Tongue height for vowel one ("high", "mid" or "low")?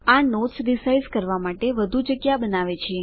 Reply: low